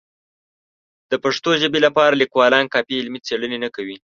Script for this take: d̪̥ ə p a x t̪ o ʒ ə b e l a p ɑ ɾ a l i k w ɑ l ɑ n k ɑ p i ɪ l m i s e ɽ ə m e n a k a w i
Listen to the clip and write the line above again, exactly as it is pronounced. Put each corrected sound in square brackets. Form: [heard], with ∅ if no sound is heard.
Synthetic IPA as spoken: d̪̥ ə p a [ʂ] t̪ o ʒ ə b e l a p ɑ ɾ a l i k w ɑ l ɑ n k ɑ p i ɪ l m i [t͡s] e ɽ ə [n] e n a k a w i